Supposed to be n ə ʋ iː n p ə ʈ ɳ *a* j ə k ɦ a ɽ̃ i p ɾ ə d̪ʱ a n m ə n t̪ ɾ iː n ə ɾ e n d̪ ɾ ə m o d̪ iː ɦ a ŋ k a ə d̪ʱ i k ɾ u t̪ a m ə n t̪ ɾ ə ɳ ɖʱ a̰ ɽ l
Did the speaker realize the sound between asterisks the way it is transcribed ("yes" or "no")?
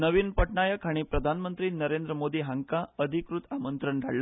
yes